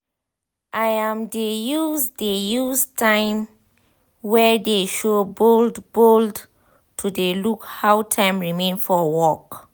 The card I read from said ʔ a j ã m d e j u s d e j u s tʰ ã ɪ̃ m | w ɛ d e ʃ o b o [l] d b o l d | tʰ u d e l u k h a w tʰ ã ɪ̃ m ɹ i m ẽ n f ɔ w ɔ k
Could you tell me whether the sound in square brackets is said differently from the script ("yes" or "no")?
no